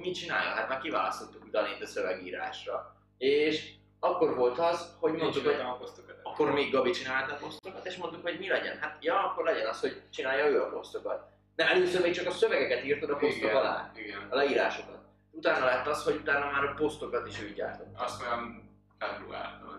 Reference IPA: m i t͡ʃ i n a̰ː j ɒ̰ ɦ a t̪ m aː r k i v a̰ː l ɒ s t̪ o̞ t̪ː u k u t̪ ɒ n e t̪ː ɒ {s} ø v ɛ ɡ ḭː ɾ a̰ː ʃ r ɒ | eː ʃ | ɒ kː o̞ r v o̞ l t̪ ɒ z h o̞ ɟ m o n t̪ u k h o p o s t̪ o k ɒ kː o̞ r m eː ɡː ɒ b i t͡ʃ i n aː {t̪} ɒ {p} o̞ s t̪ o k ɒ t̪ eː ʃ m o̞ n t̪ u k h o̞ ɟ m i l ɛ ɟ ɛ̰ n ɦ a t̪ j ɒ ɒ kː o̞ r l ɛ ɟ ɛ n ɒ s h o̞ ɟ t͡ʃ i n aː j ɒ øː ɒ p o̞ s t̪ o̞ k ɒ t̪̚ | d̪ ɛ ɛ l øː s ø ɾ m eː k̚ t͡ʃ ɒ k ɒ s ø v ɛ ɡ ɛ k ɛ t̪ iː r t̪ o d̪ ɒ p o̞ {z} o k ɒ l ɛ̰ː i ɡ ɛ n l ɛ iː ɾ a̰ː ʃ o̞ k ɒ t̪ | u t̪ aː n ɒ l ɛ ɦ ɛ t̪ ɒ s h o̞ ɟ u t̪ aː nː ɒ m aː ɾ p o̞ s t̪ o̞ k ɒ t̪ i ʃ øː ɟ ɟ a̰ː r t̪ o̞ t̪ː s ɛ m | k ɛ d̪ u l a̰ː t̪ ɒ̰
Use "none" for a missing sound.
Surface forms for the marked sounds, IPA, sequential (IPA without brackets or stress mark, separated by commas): s, t̪, p, s